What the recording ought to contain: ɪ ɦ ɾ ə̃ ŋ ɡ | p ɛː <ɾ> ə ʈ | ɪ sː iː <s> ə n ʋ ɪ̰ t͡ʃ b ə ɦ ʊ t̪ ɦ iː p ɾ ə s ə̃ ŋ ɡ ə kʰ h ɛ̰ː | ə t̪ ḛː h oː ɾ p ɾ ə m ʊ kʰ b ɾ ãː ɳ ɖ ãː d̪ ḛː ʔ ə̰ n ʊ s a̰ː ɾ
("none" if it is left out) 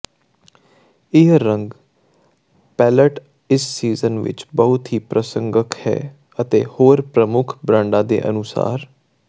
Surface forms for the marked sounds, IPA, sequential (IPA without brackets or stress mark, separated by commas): l, z